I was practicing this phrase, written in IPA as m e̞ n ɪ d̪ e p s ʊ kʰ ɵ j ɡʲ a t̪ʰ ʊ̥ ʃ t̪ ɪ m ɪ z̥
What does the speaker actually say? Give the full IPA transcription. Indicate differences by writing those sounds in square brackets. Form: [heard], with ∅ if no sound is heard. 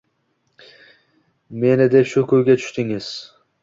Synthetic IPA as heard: m e̞ n ɪ d̪ e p [ʃ] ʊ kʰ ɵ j ɡʲ a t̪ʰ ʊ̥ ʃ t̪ ɪ [ŋ] ɪ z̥